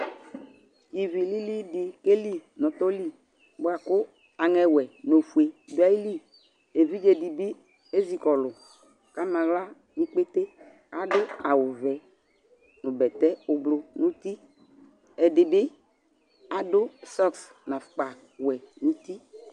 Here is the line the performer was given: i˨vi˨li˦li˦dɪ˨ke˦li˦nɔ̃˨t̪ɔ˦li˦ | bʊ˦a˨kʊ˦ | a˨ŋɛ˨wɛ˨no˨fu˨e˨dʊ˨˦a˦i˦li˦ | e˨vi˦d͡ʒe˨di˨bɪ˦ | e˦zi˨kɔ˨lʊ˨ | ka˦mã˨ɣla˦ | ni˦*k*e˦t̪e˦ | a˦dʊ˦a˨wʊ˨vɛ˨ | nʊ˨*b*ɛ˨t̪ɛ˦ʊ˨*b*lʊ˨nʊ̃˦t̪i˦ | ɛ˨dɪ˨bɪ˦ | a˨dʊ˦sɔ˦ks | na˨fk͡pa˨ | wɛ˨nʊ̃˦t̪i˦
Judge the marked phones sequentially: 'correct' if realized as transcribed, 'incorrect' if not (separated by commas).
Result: incorrect, correct, correct